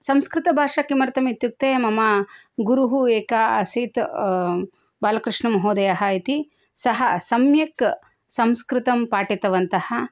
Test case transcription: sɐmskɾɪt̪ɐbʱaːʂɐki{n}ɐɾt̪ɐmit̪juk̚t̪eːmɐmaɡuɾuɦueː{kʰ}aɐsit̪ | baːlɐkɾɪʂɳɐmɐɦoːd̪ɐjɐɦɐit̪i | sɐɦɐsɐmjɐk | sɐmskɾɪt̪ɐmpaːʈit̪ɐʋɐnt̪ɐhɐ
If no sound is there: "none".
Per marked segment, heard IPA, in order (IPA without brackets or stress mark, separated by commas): m, k